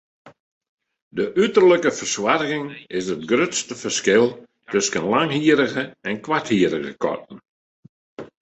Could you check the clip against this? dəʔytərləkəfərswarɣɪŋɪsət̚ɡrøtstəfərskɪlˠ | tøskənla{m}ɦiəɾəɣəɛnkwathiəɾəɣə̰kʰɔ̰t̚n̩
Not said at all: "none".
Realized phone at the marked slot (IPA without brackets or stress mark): ŋ